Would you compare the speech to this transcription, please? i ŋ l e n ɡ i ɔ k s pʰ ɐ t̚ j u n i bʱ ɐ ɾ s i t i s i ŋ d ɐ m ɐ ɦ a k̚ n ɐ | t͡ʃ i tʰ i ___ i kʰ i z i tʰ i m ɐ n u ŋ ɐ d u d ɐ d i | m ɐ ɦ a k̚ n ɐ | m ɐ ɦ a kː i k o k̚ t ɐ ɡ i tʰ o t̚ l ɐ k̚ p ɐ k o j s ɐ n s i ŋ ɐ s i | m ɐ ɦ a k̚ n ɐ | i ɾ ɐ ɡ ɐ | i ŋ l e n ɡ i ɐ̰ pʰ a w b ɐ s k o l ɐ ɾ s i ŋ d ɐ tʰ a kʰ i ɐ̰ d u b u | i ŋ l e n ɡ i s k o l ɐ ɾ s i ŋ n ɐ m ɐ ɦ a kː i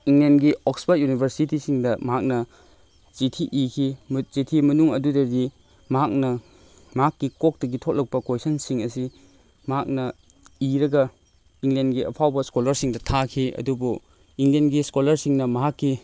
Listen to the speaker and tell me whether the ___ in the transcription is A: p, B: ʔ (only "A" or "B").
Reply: B